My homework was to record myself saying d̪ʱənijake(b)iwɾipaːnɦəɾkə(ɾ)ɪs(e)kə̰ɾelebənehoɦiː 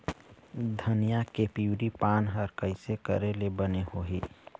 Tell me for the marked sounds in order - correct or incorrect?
incorrect, incorrect, correct

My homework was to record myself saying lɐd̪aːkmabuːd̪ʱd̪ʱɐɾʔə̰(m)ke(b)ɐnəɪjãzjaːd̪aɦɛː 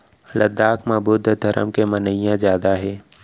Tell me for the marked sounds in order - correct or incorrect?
correct, incorrect

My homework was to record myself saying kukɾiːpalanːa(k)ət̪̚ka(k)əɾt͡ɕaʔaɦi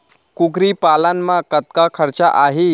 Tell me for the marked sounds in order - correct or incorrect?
correct, incorrect

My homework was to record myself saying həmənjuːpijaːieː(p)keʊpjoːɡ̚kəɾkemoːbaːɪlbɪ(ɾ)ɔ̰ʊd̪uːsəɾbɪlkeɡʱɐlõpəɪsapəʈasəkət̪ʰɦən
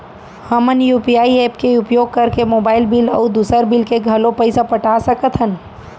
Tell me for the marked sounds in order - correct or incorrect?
correct, incorrect

